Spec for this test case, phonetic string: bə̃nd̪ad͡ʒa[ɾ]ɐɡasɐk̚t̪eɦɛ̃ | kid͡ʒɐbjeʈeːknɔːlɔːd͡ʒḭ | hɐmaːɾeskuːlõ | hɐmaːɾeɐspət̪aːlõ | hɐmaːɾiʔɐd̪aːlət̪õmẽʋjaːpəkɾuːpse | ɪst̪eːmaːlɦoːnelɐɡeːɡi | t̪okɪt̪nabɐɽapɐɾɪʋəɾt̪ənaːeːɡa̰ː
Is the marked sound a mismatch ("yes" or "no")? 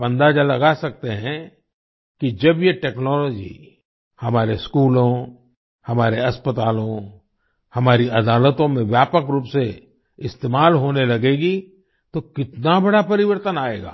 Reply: yes